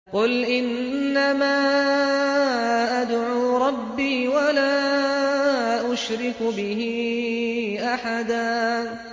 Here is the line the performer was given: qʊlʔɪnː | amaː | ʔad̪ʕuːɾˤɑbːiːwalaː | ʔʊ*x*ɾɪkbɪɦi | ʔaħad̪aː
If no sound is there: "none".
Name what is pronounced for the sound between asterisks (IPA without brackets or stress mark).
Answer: ʃ